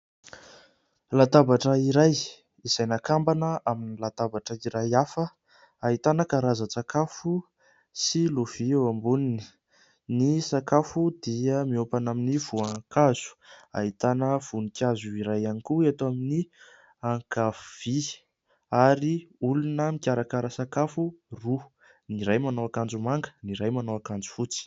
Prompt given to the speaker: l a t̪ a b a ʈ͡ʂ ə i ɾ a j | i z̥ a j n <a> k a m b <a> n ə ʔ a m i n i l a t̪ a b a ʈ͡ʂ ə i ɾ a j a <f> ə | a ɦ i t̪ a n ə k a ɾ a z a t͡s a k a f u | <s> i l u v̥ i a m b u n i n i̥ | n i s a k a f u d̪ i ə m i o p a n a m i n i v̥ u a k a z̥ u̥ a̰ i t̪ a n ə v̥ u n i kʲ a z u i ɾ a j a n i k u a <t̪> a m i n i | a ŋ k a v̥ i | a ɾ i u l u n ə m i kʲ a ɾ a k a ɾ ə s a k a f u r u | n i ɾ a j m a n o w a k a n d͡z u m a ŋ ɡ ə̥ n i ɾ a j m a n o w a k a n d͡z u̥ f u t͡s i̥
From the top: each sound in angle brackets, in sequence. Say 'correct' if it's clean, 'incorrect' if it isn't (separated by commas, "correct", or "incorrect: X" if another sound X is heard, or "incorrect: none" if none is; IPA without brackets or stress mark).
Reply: correct, correct, correct, correct, correct